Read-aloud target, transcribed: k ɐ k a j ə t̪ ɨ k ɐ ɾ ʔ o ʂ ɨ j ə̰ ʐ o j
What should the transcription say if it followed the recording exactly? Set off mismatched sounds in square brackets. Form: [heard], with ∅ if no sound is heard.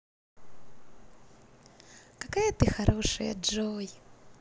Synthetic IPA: k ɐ k a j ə t̪ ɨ [x] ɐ ɾ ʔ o ʂ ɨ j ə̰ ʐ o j